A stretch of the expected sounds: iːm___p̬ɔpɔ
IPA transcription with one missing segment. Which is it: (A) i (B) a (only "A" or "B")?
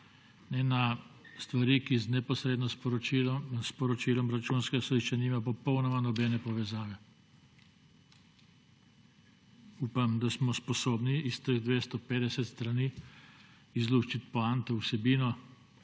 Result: B